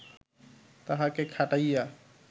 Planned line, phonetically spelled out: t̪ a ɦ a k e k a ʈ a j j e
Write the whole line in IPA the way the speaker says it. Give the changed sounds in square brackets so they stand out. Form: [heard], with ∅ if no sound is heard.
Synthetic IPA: t̪ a ɦ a k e [kʰ] a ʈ a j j [a]